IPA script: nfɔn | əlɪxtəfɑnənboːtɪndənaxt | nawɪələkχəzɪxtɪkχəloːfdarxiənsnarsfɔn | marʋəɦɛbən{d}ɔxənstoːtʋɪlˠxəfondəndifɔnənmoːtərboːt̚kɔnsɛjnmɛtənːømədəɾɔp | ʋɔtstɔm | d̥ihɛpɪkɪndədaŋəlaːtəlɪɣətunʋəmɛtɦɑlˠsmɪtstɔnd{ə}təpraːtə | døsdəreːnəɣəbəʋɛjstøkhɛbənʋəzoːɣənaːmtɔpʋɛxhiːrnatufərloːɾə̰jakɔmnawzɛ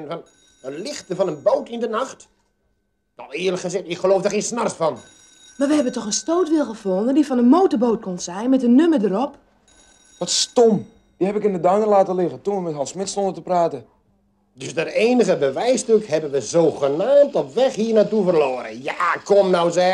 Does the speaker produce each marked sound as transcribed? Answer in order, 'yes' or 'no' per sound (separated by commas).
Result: no, yes